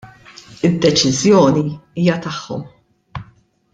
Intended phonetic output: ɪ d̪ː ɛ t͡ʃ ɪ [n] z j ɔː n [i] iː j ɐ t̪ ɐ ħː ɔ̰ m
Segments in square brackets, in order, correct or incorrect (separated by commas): incorrect, correct